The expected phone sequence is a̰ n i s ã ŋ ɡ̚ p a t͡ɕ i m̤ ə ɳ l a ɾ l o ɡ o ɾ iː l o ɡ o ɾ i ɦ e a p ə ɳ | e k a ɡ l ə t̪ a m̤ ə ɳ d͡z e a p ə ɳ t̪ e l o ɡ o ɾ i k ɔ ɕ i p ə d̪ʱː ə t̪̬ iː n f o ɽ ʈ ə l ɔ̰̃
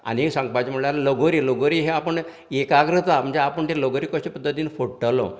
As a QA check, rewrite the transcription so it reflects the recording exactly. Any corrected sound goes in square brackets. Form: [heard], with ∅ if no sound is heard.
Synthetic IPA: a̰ n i s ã ŋ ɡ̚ p a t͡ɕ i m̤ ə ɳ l a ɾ l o ɡ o ɾ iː l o ɡ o ɾ i ɦ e a p ə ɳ | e k a ɡ [ɾ] ə t̪ a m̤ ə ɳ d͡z e a p ə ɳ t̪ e l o ɡ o ɾ i k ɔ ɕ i p ə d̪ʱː ə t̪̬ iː n f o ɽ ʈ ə l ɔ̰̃